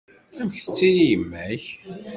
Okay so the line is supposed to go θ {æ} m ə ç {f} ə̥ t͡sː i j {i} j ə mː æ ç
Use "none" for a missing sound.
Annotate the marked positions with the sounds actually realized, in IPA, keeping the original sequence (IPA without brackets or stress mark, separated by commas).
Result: æ, θ, i